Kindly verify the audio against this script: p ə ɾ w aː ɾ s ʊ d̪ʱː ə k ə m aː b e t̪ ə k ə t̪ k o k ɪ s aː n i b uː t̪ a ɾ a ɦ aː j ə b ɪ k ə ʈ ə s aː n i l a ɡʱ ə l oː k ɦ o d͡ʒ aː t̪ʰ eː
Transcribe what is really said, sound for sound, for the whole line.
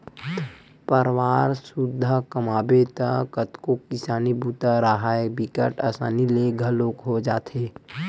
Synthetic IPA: p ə ɾ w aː ɾ s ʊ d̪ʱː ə k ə m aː b e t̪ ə k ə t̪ k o k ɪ s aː n i b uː t̪ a ɾ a ɦ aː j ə b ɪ k ə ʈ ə s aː n i l e ɡʱ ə l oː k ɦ o d͡ʒ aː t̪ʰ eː